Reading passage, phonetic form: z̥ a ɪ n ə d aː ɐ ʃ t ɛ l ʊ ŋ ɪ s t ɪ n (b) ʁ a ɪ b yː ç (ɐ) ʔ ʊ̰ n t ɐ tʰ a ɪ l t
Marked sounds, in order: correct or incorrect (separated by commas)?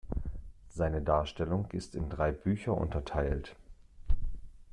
incorrect, correct